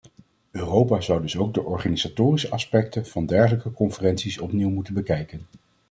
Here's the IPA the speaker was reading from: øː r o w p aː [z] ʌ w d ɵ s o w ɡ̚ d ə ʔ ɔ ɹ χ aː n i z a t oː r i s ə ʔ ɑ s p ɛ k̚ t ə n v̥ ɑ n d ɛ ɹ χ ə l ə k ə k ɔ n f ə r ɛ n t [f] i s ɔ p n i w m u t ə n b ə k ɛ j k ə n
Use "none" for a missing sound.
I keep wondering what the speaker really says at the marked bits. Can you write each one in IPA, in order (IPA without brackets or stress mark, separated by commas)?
z, s